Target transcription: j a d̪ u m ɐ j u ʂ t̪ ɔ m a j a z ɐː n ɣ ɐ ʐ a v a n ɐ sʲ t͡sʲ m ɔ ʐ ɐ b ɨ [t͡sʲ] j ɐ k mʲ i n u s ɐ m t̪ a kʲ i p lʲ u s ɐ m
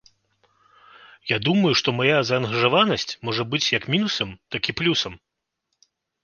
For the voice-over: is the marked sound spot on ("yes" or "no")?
yes